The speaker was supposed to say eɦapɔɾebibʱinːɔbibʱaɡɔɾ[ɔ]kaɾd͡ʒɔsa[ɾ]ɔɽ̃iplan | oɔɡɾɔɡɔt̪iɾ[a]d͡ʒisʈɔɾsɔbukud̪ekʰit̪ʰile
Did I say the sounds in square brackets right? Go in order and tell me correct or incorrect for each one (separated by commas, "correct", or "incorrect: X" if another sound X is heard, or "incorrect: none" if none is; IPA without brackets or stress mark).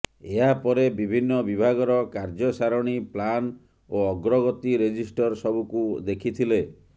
correct, correct, incorrect: e